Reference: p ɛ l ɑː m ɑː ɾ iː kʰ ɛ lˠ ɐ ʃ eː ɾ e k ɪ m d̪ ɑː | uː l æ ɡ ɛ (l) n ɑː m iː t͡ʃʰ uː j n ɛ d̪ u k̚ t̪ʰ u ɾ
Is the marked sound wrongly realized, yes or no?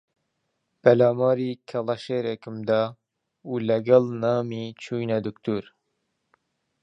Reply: no